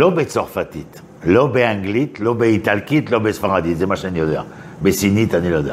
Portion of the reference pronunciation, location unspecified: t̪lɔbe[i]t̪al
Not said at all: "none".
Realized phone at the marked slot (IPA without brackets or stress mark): i